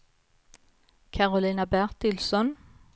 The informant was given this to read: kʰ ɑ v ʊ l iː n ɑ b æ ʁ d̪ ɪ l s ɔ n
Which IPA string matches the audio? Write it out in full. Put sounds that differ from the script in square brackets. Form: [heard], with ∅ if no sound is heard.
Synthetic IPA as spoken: kʰ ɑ [ʁ] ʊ l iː n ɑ b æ ʁ [t̪] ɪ l s ɔ n